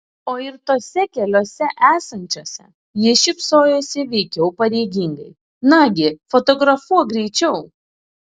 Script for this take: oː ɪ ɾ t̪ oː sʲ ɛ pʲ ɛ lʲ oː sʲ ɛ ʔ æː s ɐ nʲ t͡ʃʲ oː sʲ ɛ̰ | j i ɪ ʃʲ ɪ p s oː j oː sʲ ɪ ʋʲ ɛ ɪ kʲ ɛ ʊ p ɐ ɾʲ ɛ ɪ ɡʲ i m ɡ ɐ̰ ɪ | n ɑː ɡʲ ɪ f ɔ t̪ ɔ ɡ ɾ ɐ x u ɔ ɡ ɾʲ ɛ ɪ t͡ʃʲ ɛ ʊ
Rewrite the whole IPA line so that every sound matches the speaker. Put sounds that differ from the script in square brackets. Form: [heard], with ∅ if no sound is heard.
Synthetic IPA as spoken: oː ɪ ɾ t̪ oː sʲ ɛ [kʲ] ɛ lʲ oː sʲ ɛ ʔ æː s ɐ nʲ t͡ʃʲ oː sʲ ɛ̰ | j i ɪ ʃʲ ɪ p s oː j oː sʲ ɪ ʋʲ ɛ ɪ kʲ ɛ ʊ p ɐ ɾʲ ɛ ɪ ɡʲ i [ŋ] ɡ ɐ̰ ɪ | n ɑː ɡʲ ɪ f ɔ t̪ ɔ ɡ ɾ ɐ [f] u ɔ ɡ ɾʲ ɛ ɪ t͡ʃʲ ɛ ʊ